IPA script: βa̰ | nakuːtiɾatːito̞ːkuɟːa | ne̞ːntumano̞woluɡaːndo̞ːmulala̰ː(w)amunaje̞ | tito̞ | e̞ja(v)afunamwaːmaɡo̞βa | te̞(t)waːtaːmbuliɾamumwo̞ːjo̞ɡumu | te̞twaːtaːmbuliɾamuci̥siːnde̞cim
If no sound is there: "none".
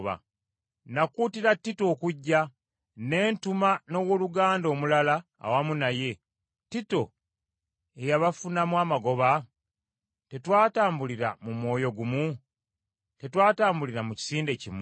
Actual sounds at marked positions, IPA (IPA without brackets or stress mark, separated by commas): w, β, t